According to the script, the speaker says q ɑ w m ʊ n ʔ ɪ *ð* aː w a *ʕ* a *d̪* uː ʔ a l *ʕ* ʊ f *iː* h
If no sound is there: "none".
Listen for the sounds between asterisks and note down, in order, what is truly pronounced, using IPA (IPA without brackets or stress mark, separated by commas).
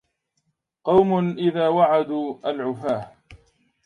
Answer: ð, ʕ, d̪, ʕ, aː